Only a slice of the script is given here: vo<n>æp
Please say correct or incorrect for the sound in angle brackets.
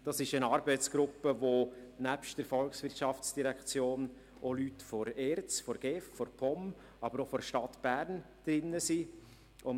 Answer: correct